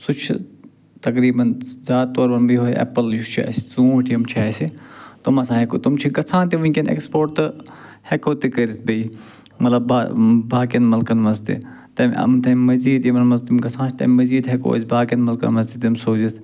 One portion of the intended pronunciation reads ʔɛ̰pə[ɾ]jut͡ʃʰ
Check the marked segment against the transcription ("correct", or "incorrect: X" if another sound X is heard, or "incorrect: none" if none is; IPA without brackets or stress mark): incorrect: l